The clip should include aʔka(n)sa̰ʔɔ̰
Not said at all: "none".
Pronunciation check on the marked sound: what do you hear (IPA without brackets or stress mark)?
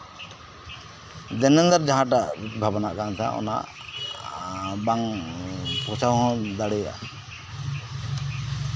n